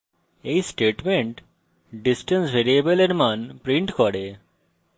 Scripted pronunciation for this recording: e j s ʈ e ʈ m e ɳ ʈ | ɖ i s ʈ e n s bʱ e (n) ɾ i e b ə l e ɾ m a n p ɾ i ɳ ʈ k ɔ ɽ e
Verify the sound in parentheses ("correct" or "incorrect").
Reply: incorrect